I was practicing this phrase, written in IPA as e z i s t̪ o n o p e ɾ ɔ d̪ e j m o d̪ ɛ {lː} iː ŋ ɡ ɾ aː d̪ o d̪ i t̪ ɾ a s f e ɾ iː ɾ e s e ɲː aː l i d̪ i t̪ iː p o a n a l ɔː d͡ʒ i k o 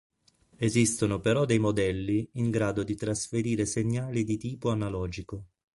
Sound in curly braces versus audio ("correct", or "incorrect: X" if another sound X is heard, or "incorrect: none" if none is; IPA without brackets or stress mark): correct